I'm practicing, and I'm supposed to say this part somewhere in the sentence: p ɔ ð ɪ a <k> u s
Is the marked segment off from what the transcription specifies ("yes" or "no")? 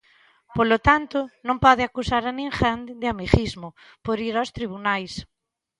no